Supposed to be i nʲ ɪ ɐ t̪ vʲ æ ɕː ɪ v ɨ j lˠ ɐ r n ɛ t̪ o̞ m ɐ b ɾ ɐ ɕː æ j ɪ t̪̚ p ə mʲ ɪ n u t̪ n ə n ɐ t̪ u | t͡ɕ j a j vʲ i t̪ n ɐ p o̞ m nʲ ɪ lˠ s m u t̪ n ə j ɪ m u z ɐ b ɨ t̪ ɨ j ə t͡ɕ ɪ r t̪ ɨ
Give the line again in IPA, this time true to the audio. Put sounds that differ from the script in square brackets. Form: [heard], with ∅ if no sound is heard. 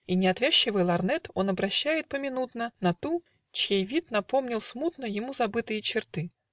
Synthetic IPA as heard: i nʲ ɪ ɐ t̪ vʲ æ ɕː ɪ v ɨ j lˠ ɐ r n ɛ t̪ o̞ [n] ɐ b ɾ ɐ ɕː æ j ɪ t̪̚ p ə mʲ ɪ n u t̪ n ə n ɐ t̪ u | t͡ɕ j [e] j vʲ i t̪ n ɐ p o̞ m nʲ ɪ lˠ s m u t̪ n ə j ɪ m u z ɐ b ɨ t̪ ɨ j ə t͡ɕ ɪ r t̪ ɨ